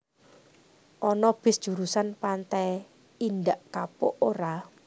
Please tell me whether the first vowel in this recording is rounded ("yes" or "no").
yes